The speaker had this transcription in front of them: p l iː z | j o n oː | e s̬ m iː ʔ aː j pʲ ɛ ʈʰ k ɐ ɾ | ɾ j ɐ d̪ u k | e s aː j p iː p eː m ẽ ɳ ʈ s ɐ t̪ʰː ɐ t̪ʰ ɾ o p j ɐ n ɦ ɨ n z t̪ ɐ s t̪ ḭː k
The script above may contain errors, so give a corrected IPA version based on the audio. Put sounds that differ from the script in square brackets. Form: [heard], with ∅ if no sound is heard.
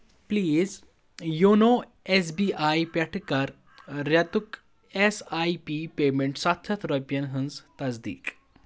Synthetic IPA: p l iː z | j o n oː | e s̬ [b] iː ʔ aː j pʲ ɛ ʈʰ k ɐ ɾ | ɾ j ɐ [t̪] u k | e s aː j p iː p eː m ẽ ɳ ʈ s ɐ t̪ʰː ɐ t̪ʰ ɾ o p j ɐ n ɦ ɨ n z t̪ ɐ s [d̪] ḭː k